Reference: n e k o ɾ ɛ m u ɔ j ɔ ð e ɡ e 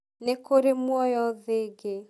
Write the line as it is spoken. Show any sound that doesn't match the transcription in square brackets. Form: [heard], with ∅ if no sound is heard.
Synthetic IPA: n e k o ɾ [e] m [w] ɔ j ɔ ð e ɡ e

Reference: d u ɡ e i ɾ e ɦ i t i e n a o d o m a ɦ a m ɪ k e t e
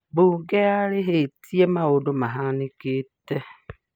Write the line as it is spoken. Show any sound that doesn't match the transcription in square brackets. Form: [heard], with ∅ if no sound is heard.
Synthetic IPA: [b] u ɡ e [a] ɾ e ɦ [e] t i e [m] a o d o m a ɦ a [n] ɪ k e t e

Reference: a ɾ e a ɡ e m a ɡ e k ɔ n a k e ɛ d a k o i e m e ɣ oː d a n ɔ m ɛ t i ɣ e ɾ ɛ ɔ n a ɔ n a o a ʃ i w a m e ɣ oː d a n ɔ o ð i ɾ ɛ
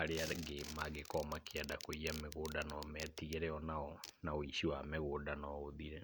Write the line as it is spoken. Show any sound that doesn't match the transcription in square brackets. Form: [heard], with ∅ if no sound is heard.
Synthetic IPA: a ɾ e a ɡ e m a ɡ e k ɔ [m] a k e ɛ d a k o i [a] m e ɣ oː d a n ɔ m ɛ t i ɣ e ɾ ɛ ɔ n a ɔ n a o [i] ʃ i w a m e ɣ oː d a n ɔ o ð i ɾ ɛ

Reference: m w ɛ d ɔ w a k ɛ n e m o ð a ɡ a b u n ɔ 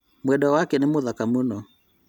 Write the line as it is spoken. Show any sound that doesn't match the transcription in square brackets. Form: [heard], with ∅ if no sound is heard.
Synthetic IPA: m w ɛ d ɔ w a k ɛ n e m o ð a [k] a [m] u n ɔ

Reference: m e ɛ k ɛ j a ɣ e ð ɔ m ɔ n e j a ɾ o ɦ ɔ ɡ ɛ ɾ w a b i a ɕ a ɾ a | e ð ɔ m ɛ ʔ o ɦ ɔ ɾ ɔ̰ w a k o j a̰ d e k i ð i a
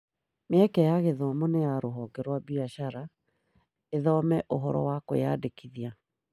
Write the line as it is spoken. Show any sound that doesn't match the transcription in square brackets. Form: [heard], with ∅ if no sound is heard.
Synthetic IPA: m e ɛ k ɛ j a ɣ e ð ɔ m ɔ n e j a ɾ o ɦ ɔ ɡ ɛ ɾ w a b i a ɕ a ɾ a | e ð ɔ m ɛ ʔ o ɦ ɔ ɾ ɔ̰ w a k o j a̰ d e k i ð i a

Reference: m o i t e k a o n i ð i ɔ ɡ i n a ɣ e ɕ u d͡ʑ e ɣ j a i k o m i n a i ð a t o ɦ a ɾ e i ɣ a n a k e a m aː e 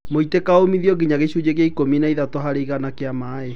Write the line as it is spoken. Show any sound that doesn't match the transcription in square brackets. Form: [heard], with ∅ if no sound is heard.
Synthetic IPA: m o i t e k a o [m] i ð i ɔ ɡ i [ɲ] a ɣ e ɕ u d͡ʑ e ɣ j a i k o m i n a i ð a t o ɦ a ɾ e i ɣ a n a k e a m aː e

